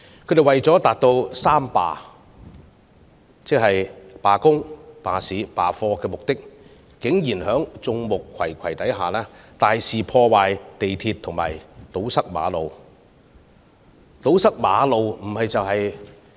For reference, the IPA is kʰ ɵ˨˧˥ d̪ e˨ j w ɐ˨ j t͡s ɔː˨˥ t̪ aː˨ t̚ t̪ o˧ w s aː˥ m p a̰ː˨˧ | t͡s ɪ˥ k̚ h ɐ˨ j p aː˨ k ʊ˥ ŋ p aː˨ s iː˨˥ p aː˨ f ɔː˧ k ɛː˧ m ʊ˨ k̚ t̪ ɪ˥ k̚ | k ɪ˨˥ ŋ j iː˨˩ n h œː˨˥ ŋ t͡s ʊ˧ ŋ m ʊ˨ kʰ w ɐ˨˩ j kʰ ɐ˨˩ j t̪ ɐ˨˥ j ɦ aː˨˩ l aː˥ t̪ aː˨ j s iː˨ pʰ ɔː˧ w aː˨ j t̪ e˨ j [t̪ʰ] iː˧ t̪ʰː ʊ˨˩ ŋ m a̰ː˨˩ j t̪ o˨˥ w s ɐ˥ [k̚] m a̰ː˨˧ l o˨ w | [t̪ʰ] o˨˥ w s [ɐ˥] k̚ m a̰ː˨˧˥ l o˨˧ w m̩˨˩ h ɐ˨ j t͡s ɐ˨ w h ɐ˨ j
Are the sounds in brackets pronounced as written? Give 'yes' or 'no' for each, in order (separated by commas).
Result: yes, yes, no, yes